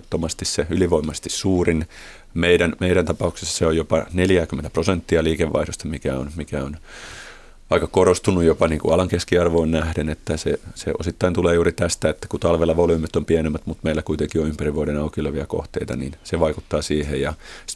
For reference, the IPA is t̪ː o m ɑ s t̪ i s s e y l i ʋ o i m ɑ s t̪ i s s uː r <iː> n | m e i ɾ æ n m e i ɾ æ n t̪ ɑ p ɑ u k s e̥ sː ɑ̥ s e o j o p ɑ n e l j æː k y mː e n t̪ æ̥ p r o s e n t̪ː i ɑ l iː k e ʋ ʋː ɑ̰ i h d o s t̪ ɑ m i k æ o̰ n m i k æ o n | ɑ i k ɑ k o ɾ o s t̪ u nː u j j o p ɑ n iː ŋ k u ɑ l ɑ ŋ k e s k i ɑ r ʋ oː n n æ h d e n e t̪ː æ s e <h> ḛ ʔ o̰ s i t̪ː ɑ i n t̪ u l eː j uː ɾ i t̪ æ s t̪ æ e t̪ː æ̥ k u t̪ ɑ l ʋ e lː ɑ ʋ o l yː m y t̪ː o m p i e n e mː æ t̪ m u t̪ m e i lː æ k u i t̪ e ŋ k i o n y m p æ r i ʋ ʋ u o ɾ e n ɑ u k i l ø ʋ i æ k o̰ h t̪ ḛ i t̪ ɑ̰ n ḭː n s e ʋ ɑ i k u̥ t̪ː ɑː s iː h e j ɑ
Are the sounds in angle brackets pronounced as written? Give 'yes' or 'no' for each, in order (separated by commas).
no, no